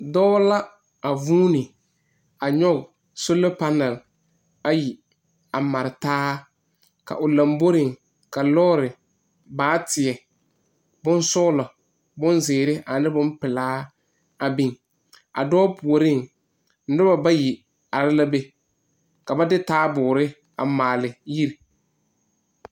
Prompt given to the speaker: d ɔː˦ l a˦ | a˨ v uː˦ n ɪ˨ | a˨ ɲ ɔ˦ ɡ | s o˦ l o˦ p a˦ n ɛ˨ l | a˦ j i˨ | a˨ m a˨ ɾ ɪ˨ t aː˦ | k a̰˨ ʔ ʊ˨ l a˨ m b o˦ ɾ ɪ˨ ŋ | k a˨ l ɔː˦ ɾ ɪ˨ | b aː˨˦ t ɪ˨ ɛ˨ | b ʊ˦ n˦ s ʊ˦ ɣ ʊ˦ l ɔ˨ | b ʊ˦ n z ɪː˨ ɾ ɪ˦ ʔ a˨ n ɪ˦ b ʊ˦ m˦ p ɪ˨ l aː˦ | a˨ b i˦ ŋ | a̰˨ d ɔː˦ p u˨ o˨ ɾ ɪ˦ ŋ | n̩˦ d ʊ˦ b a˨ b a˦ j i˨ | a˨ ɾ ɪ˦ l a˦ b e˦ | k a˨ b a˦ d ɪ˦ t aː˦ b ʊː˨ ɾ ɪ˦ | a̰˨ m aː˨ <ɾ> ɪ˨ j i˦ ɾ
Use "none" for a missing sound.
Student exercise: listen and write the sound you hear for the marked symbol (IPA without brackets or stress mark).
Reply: l